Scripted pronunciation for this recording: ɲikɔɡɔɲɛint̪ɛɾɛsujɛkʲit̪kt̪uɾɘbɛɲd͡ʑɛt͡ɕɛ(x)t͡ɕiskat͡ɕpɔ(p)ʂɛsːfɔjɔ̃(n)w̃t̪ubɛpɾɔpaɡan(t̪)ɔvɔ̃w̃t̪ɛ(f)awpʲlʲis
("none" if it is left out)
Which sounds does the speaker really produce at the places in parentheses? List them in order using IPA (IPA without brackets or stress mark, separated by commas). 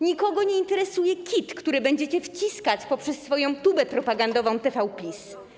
f, p, none, d̪, f